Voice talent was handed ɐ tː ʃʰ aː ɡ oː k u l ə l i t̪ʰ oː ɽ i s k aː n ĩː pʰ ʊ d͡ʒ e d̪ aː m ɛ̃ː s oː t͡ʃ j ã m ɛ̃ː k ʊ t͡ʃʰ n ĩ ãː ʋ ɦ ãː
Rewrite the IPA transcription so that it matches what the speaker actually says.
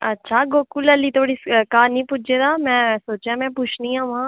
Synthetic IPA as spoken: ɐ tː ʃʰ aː ɡ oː k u l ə l i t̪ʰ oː ɽ i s k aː n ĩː p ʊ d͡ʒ e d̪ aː m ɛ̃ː s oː t͡ʃ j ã m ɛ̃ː p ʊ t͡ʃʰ n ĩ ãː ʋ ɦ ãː